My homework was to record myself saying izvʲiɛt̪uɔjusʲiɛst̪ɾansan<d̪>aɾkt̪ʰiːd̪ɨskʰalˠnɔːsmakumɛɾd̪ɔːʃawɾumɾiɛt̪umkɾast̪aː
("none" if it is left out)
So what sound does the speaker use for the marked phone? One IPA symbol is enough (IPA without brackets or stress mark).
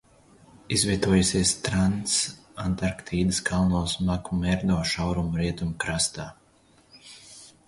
t̪